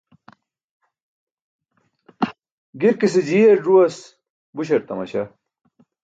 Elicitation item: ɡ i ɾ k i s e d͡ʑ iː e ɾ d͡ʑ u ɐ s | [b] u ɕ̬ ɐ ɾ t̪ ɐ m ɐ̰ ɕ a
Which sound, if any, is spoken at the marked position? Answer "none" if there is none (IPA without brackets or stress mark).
b